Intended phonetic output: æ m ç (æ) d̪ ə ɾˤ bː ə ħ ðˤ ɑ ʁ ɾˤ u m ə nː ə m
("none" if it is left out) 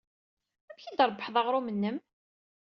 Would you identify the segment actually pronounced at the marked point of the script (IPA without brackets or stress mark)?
i